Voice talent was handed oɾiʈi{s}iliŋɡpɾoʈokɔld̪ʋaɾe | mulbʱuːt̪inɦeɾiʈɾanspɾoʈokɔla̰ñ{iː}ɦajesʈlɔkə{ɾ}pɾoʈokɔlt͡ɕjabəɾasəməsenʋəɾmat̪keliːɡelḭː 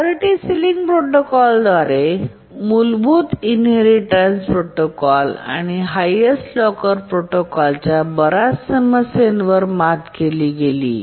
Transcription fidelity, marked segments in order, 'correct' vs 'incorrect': correct, incorrect: i, correct

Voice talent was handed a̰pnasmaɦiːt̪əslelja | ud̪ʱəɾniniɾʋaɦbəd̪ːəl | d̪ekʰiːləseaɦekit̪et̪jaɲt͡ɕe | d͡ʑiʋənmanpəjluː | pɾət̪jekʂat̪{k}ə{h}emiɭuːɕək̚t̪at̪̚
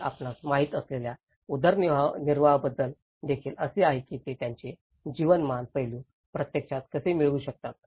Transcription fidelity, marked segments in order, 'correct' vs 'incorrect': correct, incorrect: s

